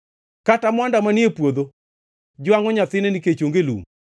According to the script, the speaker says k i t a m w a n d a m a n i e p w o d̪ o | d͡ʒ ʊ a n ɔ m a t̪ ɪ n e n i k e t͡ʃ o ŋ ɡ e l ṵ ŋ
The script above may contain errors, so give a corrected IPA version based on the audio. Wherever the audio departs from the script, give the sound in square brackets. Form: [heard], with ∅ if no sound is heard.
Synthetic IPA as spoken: k [a] t a m w a n d a m a n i e p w o d̪ o | d͡ʒ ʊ a [ŋ] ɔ [ɲ] a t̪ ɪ n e n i k e t͡ʃ o ŋ ɡ e l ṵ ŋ